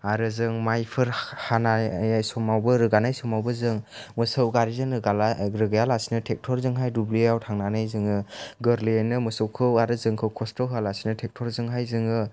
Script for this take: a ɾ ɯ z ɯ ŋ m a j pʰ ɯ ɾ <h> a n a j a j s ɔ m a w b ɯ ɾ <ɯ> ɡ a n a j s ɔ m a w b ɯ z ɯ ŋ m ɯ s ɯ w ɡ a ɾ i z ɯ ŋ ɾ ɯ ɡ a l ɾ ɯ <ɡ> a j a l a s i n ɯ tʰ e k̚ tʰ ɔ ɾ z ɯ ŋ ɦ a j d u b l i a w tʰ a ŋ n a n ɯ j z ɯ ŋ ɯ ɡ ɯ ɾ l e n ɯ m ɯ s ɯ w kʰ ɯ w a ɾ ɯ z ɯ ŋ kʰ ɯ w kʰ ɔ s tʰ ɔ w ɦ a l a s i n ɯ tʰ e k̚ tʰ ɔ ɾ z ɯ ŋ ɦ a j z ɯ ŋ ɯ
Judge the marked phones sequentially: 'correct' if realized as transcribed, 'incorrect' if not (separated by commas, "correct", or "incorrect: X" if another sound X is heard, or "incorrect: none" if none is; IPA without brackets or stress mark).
correct, correct, correct